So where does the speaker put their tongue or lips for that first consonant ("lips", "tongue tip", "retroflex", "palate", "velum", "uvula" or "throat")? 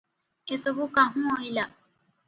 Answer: tongue tip